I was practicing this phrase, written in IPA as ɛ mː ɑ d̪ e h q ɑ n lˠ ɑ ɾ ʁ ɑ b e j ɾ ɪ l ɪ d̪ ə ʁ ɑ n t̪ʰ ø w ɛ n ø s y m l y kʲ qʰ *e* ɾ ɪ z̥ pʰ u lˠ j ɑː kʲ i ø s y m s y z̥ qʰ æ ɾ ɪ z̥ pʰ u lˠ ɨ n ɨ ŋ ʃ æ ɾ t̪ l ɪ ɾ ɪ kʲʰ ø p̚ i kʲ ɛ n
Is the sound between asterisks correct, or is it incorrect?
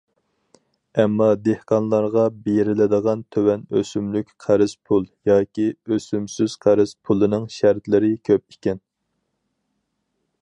incorrect